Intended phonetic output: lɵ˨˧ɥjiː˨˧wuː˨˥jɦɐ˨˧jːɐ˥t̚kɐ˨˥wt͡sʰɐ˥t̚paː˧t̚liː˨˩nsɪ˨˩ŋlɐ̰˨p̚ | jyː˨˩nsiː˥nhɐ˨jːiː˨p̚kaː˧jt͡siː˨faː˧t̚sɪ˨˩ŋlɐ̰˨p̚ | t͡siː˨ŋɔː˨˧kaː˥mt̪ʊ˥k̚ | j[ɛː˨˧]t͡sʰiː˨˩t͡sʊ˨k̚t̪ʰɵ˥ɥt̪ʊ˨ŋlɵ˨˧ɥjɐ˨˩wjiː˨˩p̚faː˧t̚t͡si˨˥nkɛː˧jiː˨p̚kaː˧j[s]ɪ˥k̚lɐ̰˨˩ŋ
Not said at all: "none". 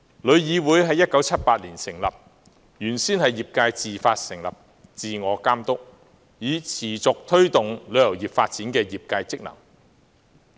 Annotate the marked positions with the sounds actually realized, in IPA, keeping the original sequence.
iː˨˧, t͡s

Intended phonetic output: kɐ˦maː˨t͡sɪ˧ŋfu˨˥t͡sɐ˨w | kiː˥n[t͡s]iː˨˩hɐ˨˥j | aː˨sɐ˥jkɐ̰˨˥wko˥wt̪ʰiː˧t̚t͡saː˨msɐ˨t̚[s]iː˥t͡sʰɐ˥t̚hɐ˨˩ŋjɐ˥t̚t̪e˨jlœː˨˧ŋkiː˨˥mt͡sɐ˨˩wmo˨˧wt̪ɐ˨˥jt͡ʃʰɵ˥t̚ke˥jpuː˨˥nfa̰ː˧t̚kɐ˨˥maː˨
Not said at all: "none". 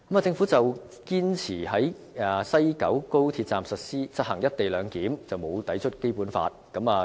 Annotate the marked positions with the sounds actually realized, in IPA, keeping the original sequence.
t͡sʰ, s

